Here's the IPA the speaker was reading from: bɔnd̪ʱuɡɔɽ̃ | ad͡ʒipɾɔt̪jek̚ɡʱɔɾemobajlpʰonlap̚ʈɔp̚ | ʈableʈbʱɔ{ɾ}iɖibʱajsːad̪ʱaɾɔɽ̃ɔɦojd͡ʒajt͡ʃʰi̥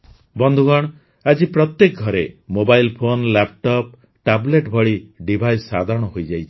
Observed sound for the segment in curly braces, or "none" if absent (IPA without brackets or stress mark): ɭ